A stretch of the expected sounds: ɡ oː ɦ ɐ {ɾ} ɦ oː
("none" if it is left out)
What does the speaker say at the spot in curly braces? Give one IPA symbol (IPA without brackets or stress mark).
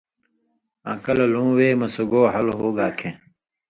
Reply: l